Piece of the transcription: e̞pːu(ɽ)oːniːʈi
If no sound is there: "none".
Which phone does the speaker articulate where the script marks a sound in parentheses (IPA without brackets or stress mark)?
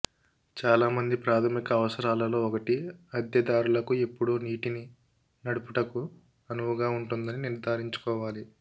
ɽ